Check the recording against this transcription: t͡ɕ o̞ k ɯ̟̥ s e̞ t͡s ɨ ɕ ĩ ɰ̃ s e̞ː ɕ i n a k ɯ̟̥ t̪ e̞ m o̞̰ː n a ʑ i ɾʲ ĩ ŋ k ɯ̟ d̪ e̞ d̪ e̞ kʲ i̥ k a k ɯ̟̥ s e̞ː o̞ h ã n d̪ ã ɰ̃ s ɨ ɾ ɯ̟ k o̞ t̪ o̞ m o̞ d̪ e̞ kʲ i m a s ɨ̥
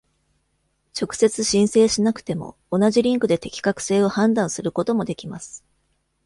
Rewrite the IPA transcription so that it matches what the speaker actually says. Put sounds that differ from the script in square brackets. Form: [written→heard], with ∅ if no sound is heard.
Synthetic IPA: t͡ɕ o̞ k ɯ̟̥ s e̞ t͡s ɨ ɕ ĩ ɰ̃ s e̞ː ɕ i n a k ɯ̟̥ t̪ e̞ m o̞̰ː n a ʑ i ɾʲ ĩ ŋ k ɯ̟ d̪ e̞ [d̪→t̪] e̞ kʲ i̥ k a k ɯ̟̥ s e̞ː o̞ h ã n d̪ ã ɰ̃ s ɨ ɾ ɯ̟ k o̞ t̪ o̞ m o̞ d̪ e̞ kʲ i m a s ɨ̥